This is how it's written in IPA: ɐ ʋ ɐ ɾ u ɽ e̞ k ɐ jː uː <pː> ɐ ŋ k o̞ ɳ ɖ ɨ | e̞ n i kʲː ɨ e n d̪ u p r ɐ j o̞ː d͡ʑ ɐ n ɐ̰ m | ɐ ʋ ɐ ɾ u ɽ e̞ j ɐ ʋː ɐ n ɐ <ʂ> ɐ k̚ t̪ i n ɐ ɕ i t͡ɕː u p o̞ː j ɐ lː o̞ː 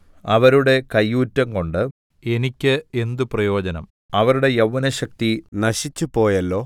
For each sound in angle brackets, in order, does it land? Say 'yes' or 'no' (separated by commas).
no, no